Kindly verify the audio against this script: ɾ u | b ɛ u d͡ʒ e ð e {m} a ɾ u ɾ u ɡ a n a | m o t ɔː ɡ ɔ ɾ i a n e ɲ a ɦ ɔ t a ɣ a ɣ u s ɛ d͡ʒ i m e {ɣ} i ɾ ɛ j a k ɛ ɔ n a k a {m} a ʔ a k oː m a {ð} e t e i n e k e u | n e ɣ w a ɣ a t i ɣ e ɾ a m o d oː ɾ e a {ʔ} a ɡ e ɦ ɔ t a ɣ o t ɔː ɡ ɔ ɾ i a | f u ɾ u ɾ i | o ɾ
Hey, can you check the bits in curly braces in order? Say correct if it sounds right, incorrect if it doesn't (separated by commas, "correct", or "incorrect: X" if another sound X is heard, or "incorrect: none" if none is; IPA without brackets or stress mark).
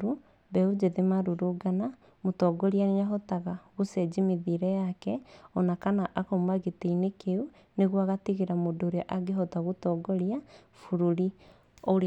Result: correct, incorrect: ð, incorrect: n, incorrect: ɣ, correct